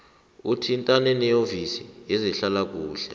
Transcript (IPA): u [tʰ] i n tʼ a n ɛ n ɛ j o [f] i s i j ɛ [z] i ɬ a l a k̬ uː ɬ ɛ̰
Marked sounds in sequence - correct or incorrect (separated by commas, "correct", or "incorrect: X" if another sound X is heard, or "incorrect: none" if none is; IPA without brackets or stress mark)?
correct, incorrect: v, correct